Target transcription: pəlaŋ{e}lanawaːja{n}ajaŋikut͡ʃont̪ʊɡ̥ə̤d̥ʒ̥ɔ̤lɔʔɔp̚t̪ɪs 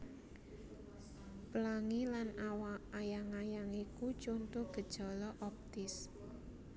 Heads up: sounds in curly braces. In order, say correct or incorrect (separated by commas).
incorrect, incorrect